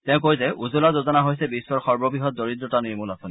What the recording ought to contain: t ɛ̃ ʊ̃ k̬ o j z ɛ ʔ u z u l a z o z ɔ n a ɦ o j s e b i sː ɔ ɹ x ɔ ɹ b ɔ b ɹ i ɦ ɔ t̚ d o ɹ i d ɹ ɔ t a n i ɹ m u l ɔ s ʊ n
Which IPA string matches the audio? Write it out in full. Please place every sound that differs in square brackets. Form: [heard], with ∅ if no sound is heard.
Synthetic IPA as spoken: t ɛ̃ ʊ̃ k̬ o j z ɛ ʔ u z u l a z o z ɔ n a ɦ o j s [ɛ] b i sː ɔ ɹ x ɔ ɹ b ɔ b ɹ i ɦ ɔ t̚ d o ɹ i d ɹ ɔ t a n i ɹ m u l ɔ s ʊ n